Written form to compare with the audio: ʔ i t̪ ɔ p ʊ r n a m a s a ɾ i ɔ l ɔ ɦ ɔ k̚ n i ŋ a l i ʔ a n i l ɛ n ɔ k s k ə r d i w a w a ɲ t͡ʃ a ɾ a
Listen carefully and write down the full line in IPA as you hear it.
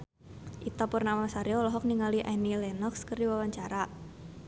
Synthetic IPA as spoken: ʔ i t̪ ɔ p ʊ r n a m a s a ɾ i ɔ l ɔ ɦ ɔ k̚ n i ŋ a l i ʔ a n i l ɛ n ɔ k s k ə r d i w a w a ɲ t͡ʃ a ɾ a